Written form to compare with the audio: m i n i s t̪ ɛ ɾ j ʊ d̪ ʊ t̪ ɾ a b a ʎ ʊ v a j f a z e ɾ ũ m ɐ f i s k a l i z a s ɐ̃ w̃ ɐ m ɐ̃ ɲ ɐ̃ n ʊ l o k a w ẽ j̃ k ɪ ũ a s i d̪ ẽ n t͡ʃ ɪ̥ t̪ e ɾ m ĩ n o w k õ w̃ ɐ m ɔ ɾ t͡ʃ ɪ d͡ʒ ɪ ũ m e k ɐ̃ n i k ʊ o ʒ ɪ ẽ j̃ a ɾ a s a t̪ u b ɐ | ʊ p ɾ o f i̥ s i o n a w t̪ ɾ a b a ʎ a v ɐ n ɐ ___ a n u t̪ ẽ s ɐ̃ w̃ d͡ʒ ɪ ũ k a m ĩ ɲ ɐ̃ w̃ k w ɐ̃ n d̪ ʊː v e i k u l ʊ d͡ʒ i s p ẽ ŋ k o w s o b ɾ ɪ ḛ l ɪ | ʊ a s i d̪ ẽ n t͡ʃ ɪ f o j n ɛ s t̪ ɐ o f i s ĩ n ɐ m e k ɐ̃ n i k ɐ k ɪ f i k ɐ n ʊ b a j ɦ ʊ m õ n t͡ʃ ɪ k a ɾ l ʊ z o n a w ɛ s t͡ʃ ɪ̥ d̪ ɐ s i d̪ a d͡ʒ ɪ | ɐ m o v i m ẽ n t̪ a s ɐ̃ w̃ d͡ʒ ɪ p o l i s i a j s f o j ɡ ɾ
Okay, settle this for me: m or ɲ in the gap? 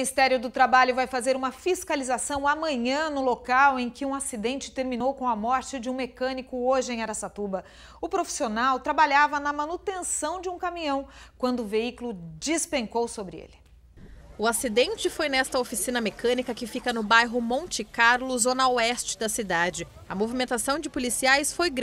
m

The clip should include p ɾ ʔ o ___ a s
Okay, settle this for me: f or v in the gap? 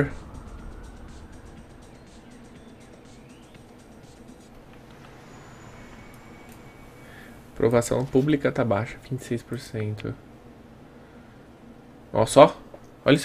v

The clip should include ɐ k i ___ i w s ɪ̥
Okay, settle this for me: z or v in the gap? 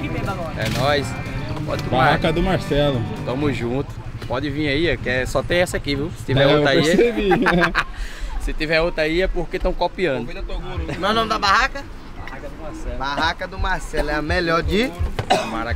v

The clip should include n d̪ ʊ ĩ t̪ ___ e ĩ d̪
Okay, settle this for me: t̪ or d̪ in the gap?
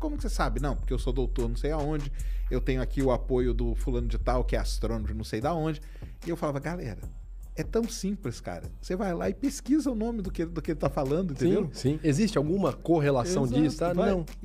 t̪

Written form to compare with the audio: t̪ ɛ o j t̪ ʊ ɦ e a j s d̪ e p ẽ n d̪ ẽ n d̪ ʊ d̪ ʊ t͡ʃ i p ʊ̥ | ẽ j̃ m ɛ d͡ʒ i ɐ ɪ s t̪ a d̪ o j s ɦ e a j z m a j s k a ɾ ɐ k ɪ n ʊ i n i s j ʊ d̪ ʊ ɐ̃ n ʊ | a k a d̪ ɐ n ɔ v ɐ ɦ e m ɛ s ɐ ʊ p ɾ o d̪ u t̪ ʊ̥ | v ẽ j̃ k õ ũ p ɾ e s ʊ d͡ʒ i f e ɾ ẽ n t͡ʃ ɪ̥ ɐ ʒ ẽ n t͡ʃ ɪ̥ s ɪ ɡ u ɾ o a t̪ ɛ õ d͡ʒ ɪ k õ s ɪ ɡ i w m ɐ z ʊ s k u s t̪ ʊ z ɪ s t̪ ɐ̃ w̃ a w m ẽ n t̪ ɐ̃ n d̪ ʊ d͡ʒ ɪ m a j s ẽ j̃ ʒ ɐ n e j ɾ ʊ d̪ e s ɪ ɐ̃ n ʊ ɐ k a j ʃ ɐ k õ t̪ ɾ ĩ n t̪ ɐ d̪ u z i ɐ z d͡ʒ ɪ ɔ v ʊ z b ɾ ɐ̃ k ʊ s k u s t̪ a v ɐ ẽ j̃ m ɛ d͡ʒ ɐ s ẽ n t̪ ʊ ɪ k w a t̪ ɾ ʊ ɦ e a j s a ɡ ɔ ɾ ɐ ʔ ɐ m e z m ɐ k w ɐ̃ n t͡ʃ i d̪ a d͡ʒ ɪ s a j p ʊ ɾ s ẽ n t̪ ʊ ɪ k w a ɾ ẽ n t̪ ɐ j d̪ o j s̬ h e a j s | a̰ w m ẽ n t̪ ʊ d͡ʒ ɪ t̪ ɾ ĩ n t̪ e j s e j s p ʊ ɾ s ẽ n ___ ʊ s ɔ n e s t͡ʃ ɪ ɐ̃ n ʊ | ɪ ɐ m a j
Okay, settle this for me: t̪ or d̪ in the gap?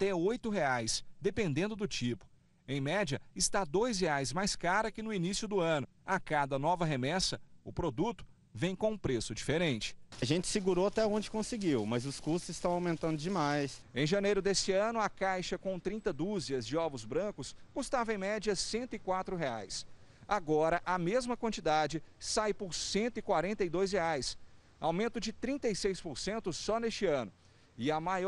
t̪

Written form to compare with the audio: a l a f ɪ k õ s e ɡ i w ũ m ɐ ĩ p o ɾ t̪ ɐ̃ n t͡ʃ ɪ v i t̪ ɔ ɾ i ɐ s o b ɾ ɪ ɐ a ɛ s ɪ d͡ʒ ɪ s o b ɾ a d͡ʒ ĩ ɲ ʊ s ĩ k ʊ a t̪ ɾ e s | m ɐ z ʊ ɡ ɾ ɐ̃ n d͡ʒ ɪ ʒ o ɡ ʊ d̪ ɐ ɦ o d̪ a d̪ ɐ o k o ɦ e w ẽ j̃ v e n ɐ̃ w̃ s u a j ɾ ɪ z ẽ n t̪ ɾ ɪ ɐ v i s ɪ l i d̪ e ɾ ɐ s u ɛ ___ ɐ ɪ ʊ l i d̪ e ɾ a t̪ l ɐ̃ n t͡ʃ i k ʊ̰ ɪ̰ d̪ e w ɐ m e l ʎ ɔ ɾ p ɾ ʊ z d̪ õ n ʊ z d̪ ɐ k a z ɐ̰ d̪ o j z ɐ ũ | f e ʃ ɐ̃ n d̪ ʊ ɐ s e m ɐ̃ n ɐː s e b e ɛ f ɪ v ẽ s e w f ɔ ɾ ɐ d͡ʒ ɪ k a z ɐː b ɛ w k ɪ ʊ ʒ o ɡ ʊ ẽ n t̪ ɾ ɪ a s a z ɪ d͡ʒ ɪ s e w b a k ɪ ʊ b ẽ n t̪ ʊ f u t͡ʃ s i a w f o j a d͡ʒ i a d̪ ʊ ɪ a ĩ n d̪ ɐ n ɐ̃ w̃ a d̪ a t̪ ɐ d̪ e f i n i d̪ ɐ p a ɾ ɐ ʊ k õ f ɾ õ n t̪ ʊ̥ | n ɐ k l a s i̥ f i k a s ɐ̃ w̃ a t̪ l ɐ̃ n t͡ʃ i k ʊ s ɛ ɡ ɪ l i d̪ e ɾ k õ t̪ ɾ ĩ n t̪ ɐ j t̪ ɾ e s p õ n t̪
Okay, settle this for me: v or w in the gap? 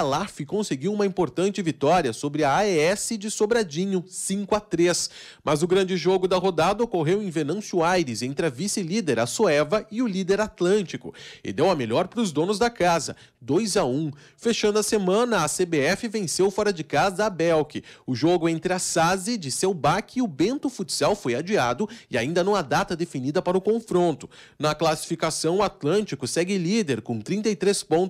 v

